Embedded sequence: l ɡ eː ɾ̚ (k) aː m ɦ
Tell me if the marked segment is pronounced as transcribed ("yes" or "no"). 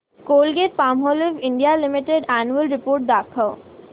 no